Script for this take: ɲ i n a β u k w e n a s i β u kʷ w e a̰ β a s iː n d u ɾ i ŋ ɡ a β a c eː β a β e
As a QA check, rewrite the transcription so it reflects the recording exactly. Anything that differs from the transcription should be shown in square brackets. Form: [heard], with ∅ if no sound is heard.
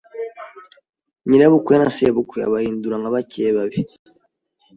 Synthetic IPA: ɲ i n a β u k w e n a s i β u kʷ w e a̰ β a [h] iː n d u ɾ [a] ŋ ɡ a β a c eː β a β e